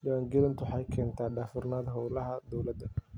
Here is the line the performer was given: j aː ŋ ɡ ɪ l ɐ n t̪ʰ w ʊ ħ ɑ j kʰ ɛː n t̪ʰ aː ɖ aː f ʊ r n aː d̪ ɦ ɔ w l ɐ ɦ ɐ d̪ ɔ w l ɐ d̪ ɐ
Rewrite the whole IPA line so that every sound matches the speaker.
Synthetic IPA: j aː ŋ ɡ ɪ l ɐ n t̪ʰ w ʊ ħ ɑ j kʰ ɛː n t̪ʰ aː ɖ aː f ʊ r n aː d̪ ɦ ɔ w l ɐ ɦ ɐ d̪ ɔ w l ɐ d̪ ɐ